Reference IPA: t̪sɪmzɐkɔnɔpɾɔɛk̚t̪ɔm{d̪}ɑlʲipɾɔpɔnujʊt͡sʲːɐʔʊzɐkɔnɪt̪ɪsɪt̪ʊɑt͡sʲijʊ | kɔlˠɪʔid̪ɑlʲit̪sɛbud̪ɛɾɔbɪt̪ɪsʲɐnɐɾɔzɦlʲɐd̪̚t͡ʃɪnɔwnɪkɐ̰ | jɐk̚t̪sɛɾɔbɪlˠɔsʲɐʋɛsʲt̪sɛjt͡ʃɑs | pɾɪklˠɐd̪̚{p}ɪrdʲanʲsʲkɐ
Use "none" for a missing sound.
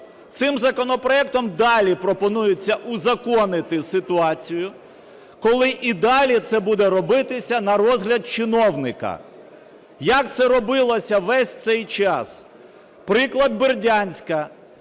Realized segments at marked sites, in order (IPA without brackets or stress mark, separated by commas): d̪, b